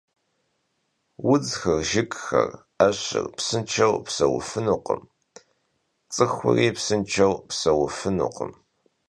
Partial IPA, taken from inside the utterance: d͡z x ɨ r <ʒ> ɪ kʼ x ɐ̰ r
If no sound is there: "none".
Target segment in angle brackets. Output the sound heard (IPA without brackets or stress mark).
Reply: ʒ